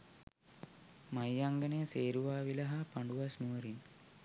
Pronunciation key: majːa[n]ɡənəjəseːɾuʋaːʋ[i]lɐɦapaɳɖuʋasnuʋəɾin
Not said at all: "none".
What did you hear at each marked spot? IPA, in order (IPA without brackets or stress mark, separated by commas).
ŋ, i